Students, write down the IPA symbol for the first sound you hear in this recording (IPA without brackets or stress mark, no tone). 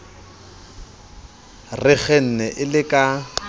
r